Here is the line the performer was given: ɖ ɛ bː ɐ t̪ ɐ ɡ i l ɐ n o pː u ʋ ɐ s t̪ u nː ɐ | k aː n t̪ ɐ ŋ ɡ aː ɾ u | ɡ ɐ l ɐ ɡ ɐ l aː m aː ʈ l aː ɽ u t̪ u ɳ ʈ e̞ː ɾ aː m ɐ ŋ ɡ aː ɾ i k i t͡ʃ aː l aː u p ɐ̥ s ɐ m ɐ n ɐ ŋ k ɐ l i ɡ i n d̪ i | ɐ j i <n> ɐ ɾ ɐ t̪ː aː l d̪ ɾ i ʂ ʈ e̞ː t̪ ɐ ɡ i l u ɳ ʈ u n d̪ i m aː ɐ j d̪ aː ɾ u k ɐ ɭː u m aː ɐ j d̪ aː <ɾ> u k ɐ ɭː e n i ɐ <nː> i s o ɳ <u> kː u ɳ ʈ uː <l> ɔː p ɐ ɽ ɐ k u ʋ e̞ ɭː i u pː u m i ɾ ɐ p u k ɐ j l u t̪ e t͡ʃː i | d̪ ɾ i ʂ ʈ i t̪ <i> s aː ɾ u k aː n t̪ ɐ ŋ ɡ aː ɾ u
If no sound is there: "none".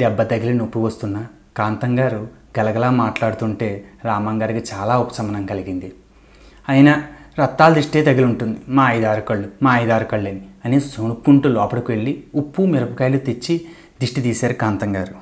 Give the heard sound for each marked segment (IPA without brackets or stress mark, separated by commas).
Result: n, ɾ, n, u, l, iː